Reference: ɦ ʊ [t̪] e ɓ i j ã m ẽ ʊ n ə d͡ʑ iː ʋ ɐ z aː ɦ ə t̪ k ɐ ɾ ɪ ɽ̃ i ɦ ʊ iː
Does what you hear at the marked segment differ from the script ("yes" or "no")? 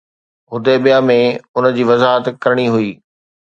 yes